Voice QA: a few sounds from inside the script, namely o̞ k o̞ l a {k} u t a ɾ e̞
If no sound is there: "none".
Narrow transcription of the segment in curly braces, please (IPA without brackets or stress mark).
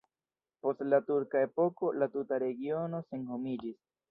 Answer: t